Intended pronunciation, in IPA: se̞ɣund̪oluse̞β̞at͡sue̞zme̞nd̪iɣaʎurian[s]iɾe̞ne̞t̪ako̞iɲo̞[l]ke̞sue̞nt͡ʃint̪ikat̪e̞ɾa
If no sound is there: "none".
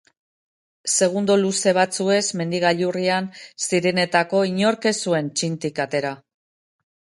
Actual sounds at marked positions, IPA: s, ɾ

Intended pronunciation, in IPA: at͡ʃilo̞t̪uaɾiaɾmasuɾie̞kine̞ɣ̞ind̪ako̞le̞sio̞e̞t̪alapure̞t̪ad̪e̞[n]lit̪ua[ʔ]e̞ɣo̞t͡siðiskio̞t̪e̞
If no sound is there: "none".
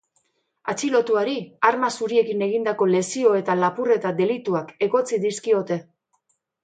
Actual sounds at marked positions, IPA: none, k

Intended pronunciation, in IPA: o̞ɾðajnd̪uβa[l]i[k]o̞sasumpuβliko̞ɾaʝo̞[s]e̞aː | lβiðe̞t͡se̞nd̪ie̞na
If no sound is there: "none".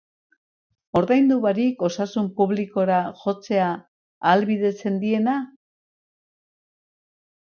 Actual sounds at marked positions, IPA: ɾ, k, t͡s

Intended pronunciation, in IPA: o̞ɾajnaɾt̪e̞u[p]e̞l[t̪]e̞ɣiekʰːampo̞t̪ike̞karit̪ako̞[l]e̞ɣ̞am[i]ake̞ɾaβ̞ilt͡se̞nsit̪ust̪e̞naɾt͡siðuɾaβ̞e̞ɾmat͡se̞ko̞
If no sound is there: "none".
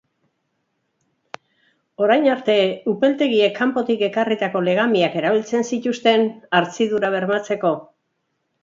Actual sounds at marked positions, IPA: p, t̪, l, i

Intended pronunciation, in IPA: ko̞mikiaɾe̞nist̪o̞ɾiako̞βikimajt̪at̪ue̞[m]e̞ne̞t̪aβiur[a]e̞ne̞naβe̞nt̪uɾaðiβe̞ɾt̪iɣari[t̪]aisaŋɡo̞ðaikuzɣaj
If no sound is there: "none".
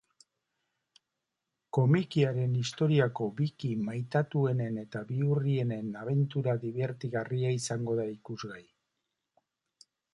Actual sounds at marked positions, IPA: n, i, none

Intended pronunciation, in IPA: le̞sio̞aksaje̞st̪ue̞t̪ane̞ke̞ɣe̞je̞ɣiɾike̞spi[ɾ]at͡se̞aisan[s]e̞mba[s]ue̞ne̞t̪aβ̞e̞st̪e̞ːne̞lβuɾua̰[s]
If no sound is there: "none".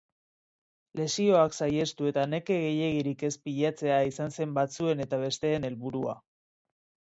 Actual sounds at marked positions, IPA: ʎ, s, t͡s, none

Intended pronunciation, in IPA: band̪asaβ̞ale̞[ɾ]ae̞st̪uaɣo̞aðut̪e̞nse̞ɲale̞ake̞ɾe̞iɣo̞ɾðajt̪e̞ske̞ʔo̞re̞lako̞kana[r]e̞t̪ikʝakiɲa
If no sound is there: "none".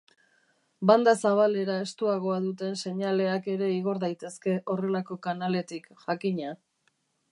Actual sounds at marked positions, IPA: ɾ, l

